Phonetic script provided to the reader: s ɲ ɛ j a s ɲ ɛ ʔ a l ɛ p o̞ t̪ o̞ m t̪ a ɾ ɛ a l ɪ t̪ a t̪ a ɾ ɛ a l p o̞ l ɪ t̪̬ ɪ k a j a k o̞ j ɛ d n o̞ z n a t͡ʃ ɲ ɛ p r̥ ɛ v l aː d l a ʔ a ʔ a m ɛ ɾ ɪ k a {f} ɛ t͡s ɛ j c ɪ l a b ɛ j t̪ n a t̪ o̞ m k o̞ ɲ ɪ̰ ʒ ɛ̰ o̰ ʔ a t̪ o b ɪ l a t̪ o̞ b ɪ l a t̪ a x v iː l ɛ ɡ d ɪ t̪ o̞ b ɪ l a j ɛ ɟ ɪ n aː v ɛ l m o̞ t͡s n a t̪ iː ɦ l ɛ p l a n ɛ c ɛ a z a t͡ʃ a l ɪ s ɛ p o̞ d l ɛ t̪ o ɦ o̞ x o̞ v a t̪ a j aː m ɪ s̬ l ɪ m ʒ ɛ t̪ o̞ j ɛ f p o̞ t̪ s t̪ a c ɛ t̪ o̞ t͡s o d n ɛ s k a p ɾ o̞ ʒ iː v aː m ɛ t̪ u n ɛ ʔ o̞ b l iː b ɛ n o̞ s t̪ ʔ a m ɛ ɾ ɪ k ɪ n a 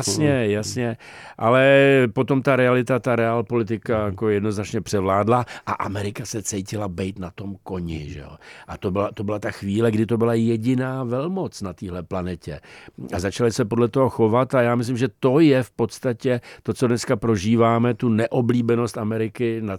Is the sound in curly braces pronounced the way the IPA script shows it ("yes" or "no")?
no